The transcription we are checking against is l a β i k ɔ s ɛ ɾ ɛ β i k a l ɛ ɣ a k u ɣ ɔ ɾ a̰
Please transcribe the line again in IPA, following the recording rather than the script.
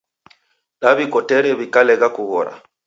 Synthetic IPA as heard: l a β i k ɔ t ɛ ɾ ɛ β i k a l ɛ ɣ a k u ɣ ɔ ɾ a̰